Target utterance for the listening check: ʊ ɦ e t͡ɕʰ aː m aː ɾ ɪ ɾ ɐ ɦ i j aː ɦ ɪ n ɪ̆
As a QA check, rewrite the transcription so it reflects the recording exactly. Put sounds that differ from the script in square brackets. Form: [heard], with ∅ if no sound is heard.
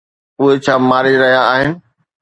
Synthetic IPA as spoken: ʊ ɦ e t͡ɕʰ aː m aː ɾ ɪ ɾ ɐ ɦ i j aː ɦ ɪ n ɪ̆